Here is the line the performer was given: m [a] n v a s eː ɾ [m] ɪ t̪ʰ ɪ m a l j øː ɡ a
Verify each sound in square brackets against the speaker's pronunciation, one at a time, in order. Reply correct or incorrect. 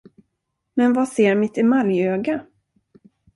incorrect: ɛ, correct

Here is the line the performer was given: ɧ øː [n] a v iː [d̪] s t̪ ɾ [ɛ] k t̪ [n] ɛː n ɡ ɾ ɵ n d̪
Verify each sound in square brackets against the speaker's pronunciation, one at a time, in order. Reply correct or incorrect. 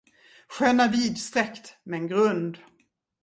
correct, correct, correct, incorrect: m

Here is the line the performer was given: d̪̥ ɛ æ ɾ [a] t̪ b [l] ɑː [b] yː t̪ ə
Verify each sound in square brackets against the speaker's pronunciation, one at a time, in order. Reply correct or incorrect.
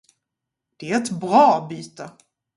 incorrect: ɛ, incorrect: ɾ, correct

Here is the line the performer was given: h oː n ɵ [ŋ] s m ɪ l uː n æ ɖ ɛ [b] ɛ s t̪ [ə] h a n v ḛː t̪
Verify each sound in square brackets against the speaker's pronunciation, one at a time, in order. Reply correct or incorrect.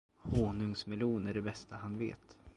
correct, correct, incorrect: a

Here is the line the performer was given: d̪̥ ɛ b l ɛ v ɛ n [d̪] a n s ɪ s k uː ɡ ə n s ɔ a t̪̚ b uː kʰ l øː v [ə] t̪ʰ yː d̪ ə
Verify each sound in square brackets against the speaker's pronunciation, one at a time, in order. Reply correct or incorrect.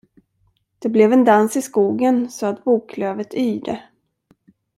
correct, correct

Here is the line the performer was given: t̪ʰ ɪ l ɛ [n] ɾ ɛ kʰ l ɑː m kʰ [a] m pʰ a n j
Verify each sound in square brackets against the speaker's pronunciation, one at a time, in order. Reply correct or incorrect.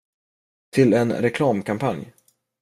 correct, correct

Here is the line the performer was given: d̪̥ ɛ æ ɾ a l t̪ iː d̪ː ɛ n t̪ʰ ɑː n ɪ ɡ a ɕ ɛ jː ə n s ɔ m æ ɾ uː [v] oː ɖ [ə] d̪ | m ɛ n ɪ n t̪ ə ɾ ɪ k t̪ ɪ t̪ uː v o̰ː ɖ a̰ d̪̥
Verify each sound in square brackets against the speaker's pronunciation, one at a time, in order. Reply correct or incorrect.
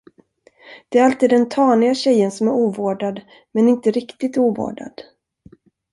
correct, incorrect: a

